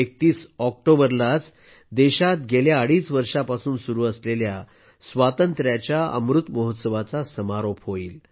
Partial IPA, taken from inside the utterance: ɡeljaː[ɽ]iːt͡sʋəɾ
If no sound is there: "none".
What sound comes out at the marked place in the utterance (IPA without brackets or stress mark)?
ɽ